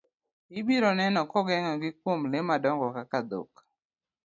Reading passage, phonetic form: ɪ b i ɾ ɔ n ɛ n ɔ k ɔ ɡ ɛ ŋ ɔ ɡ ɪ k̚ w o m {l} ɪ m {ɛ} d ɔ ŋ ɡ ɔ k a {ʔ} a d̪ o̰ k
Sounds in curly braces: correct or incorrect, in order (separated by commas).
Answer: correct, incorrect, incorrect